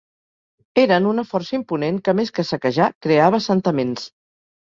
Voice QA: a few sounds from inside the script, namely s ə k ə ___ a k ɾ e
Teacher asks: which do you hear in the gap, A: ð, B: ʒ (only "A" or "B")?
B